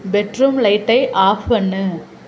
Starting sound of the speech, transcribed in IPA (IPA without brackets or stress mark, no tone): b